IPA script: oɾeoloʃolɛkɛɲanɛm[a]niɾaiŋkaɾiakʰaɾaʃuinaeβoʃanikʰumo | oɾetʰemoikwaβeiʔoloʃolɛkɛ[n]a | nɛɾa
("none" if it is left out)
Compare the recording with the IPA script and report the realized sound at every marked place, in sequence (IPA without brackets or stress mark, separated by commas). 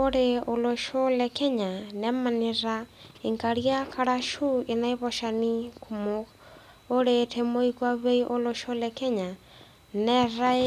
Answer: a, ɲ